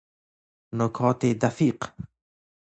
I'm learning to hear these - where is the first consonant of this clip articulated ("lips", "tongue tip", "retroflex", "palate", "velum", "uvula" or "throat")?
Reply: tongue tip